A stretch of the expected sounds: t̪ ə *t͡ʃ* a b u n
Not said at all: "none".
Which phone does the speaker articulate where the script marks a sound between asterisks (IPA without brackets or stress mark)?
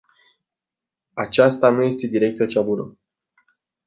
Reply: t͡ʃ